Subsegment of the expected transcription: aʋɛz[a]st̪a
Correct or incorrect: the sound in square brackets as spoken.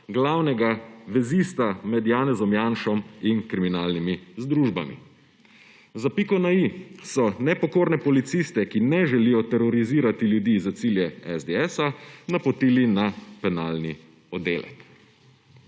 incorrect: i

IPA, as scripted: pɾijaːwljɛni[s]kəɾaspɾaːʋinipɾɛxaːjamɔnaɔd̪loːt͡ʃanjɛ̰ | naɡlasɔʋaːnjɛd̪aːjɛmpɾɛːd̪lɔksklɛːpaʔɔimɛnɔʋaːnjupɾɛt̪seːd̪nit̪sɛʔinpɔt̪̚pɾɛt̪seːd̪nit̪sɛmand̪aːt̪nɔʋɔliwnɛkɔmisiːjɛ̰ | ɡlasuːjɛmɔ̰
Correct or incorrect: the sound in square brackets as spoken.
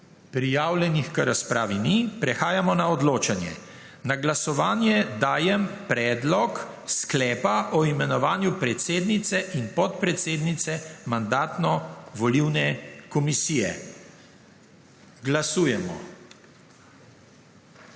incorrect: x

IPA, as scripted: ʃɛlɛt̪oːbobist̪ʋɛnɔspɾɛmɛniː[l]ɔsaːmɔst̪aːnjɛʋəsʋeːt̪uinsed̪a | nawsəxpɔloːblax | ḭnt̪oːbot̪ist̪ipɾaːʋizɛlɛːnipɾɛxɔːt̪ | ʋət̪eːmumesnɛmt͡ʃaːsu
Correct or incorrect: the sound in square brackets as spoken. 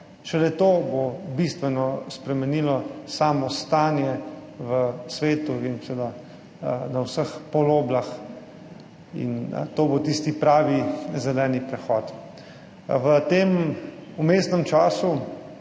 correct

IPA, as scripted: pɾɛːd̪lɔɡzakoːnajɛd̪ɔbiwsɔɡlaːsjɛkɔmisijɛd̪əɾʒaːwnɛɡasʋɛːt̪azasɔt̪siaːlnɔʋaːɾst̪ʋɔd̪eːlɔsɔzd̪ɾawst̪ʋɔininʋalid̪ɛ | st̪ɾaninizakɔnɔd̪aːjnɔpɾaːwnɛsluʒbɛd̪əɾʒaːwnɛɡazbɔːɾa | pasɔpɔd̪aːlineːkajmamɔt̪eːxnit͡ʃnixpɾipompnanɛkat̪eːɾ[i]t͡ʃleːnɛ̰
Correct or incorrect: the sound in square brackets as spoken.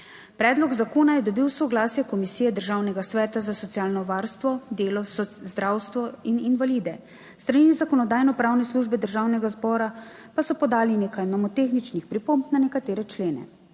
incorrect: ɛ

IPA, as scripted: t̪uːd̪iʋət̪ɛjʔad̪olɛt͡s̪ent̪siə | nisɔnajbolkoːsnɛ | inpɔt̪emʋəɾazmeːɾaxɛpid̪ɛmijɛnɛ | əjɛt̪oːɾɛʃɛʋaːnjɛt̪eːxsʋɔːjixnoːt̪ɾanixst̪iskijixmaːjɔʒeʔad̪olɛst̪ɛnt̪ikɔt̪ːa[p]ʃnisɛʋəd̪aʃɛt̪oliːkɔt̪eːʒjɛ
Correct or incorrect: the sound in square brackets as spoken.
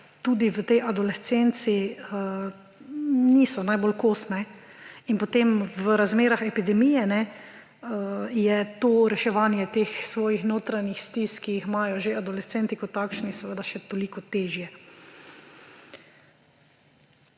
incorrect: k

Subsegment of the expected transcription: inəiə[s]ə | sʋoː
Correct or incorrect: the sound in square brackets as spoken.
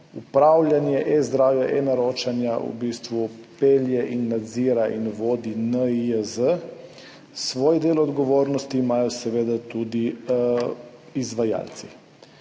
incorrect: z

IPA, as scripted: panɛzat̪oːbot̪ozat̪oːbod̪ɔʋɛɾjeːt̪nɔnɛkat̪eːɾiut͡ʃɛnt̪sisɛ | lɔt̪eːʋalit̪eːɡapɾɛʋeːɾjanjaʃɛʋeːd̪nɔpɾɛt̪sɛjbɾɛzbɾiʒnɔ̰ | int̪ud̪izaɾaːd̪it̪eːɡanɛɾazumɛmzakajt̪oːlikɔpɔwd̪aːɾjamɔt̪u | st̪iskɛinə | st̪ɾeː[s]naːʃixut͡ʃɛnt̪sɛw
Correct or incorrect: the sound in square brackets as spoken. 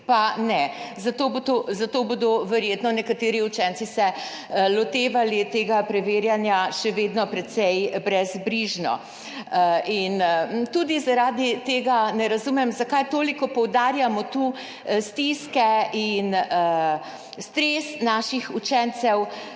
correct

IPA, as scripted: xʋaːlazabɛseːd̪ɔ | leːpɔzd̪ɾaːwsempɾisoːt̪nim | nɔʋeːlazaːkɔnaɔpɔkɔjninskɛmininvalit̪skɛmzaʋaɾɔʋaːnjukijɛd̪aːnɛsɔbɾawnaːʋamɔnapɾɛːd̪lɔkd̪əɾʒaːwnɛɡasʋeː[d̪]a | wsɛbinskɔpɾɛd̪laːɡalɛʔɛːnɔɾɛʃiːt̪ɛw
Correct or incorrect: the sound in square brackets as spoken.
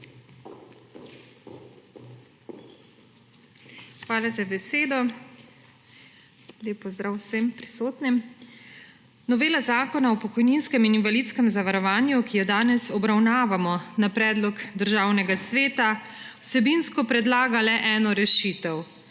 incorrect: t̪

